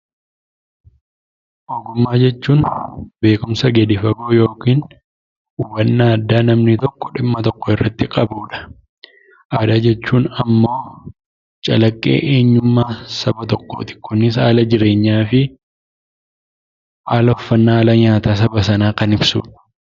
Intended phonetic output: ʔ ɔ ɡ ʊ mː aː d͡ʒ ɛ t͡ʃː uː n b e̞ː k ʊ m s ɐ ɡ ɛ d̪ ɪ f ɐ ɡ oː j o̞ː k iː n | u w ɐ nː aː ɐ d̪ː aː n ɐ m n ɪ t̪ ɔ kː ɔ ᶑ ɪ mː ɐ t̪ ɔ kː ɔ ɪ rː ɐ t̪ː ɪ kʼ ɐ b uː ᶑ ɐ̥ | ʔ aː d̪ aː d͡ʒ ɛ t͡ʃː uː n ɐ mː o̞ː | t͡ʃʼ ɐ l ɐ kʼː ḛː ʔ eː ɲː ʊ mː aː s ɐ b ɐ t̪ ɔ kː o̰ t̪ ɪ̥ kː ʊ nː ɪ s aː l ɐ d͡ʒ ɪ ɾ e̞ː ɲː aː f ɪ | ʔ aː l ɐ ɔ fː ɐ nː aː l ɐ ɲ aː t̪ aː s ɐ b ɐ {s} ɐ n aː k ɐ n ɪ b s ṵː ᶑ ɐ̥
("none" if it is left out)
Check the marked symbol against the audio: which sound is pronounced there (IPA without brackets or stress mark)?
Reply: s